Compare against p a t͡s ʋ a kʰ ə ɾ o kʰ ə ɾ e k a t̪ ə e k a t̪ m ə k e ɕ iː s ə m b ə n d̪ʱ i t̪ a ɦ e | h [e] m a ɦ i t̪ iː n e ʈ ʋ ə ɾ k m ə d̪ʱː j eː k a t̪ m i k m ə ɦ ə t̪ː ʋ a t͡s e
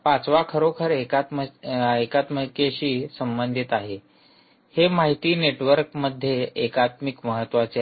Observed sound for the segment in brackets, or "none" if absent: e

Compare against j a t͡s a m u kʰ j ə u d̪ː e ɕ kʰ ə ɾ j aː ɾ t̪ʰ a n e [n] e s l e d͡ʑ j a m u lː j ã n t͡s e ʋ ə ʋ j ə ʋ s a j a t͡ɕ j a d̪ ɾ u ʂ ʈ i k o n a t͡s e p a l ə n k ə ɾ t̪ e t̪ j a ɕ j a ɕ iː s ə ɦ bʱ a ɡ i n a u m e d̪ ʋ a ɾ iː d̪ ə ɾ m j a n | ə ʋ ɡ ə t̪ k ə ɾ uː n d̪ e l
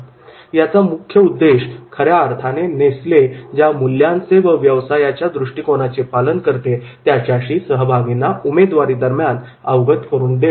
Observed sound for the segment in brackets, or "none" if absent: n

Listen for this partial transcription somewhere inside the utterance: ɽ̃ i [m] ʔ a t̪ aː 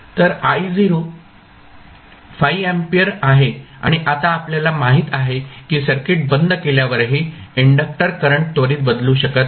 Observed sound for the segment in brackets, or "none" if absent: none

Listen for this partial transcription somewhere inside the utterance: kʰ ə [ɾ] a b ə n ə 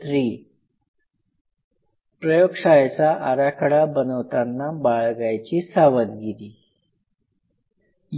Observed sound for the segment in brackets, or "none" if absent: ɽ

